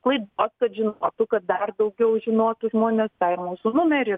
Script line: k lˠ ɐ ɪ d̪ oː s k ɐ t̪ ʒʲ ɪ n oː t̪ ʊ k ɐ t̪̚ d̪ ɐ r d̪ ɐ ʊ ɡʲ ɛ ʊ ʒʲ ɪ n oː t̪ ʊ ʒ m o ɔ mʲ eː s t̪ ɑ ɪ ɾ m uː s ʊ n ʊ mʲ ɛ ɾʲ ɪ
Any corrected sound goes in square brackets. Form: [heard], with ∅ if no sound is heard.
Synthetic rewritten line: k lˠ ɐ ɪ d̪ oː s k ɐ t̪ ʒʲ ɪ n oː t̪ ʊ k ɐ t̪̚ d̪ ɐ r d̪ ɐ ʊ ɡʲ ɛ ʊ ʒʲ ɪ n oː t̪ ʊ ʒ m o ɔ [nʲ] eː s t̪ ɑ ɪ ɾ m uː s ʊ n ʊ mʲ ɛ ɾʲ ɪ